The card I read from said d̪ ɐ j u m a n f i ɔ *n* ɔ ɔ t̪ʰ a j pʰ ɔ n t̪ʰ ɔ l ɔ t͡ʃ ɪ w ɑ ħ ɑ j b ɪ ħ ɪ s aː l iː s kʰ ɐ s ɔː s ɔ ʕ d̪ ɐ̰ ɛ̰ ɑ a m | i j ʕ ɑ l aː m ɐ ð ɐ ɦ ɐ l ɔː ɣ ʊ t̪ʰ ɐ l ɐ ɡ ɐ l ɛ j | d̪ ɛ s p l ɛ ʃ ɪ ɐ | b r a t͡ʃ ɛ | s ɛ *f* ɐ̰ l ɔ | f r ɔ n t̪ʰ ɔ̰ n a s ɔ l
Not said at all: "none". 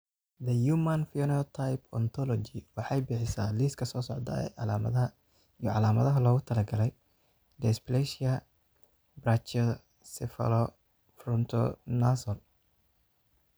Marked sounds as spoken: n, f

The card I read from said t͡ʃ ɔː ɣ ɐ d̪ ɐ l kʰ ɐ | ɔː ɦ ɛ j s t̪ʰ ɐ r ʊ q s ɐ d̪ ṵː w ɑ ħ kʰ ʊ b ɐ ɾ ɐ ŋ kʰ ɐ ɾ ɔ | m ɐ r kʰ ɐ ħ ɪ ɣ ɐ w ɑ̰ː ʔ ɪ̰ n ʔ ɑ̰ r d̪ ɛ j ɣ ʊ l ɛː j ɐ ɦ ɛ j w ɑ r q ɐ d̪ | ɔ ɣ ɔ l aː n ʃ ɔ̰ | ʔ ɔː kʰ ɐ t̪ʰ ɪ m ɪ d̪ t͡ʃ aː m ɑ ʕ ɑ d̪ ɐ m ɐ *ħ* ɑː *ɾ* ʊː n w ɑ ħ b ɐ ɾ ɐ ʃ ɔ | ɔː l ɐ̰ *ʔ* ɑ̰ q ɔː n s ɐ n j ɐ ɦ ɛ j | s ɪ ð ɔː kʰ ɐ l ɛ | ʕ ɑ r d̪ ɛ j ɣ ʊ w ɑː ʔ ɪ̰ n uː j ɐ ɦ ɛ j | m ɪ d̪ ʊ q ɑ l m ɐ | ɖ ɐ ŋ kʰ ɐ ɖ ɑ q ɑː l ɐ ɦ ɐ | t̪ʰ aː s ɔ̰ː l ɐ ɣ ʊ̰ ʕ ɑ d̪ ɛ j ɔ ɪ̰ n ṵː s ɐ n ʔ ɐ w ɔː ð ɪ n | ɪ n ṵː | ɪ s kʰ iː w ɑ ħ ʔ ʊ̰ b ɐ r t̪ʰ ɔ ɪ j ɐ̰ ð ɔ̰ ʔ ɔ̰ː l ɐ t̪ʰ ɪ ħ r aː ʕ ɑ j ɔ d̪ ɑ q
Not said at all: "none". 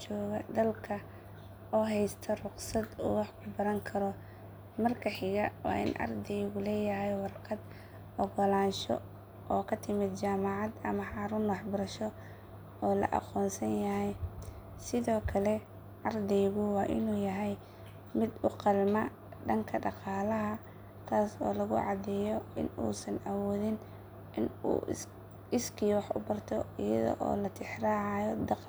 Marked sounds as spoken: ħ, ɾ, ʔ

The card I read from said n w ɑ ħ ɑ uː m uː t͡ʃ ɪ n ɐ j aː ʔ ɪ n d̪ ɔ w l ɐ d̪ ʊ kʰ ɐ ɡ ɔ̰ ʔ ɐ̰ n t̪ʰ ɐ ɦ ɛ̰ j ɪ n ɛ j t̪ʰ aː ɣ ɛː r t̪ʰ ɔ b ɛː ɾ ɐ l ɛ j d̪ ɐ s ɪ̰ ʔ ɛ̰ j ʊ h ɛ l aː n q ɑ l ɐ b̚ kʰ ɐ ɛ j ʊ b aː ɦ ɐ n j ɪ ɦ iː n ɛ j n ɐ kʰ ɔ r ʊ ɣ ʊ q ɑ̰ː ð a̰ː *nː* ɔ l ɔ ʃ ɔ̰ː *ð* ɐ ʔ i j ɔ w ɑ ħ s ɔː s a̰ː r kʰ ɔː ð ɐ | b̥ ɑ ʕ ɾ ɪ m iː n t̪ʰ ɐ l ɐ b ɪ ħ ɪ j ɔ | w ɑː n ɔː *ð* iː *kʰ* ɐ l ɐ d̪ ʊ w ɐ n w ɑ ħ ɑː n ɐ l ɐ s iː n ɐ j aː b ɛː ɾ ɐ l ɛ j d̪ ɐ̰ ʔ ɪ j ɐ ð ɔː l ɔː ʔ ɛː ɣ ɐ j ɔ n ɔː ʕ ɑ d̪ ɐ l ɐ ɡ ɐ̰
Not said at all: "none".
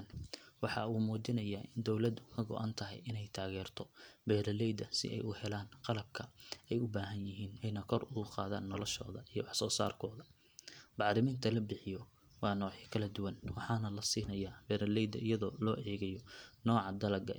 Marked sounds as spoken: nː, ð, ʕ, kʰ

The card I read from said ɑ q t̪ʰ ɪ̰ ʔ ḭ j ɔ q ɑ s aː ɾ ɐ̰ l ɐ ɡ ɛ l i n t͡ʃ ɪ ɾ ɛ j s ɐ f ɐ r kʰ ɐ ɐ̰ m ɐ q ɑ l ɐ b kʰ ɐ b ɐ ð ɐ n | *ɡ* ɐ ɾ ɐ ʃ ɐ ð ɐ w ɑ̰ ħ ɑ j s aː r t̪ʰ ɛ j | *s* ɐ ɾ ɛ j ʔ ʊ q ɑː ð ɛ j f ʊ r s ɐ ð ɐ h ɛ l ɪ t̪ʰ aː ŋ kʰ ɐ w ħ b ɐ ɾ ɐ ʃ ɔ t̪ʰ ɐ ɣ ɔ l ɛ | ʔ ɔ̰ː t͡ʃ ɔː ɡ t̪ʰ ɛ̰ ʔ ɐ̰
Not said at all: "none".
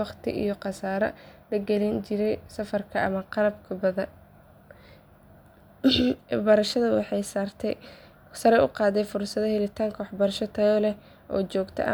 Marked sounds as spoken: b, s

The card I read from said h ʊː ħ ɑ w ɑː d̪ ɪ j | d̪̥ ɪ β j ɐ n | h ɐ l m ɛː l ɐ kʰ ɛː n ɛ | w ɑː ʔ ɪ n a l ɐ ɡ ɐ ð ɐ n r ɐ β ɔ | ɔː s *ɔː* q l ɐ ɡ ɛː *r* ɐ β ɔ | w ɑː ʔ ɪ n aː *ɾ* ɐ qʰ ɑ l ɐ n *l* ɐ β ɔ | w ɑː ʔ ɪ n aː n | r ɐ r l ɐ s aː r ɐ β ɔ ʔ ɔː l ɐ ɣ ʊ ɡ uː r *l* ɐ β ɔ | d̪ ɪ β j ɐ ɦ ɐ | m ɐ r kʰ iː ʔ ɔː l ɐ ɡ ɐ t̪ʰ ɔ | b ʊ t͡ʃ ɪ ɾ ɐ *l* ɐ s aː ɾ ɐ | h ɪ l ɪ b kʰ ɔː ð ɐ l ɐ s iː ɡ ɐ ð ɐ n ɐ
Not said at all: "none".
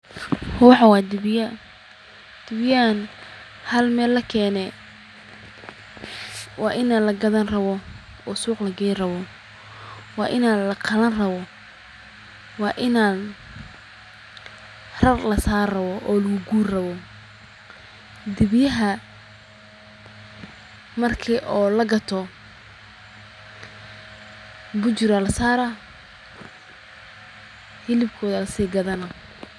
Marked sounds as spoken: uː, r, l, r, r, l

